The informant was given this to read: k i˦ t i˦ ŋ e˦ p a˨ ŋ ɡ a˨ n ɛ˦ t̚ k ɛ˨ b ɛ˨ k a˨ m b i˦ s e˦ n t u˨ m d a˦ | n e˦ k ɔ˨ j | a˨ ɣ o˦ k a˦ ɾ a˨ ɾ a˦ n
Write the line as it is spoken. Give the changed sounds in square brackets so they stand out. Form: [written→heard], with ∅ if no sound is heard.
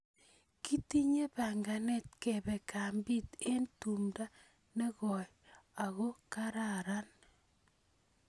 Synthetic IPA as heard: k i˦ t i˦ [ŋ→ɲ] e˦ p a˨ ŋ ɡ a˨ n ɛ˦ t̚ k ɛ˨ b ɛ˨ k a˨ m b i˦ [s→t] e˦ n t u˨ m d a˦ | n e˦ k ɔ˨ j | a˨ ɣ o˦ k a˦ ɾ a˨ ɾ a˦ n